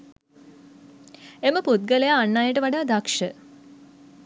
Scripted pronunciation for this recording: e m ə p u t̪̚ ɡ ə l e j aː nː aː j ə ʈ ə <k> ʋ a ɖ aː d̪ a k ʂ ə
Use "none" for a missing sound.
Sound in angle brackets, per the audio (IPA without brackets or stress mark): none